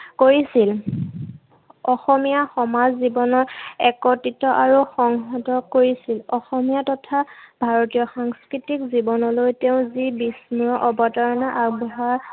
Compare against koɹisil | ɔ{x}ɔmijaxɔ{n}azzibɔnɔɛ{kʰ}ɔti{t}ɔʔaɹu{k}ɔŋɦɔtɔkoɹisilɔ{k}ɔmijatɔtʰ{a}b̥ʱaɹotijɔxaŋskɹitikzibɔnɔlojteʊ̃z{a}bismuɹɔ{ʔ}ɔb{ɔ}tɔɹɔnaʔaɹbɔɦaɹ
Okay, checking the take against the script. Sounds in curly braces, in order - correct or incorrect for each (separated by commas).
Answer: correct, incorrect, incorrect, correct, incorrect, incorrect, correct, incorrect, correct, correct